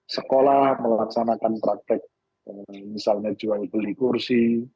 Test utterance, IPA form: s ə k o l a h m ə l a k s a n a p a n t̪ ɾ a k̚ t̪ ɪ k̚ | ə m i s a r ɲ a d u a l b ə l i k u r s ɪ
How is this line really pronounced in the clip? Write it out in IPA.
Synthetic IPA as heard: s ə k o l a h m ə l a k s a n a k a n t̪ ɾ a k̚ t̪ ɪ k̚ | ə m i s a l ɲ a d͡ʒ u a l b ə l i k u r s i